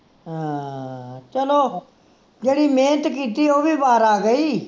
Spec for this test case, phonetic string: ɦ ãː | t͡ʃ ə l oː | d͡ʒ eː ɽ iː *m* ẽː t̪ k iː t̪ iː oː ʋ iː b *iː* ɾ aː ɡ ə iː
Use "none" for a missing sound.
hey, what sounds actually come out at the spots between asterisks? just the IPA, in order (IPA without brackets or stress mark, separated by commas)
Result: m, aː